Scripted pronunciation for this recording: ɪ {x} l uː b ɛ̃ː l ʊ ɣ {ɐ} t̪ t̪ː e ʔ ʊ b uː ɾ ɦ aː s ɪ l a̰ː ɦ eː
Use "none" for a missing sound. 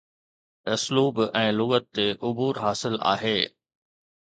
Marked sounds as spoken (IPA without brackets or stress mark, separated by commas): s, ə